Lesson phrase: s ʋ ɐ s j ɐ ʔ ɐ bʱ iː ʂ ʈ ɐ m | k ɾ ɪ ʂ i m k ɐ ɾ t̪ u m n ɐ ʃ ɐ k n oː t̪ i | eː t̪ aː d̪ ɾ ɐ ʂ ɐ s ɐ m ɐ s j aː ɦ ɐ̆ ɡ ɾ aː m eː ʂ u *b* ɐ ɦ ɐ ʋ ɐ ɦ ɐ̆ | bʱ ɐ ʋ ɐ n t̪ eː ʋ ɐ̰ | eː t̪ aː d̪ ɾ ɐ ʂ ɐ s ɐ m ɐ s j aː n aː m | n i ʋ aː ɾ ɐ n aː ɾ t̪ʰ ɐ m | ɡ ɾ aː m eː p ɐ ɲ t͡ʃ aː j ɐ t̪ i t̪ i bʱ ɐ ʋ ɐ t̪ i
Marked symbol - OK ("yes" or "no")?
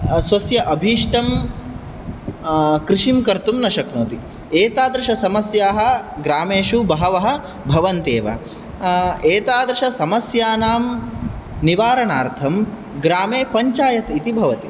yes